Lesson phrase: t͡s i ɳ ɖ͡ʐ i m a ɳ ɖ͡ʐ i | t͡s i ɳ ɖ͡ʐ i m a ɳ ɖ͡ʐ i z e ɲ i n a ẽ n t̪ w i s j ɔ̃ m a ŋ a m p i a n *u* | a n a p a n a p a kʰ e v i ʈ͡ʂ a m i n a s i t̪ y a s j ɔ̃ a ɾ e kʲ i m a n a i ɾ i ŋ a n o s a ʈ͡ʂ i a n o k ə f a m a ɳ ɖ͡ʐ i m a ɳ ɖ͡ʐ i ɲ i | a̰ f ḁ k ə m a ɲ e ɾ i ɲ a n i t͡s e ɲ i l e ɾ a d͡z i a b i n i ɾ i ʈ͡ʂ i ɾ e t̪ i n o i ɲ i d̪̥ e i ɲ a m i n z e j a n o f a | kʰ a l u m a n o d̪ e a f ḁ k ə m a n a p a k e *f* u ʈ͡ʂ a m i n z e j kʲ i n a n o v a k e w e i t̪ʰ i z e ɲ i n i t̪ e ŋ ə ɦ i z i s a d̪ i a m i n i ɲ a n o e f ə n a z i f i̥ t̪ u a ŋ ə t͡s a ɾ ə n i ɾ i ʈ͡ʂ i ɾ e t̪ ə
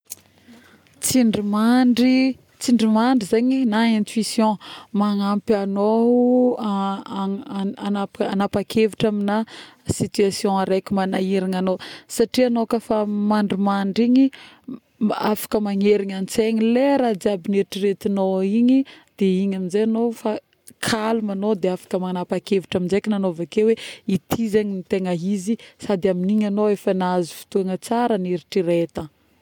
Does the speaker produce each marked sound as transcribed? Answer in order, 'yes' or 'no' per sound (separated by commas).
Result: no, no